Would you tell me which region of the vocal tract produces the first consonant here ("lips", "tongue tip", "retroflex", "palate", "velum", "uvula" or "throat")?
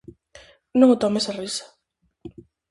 tongue tip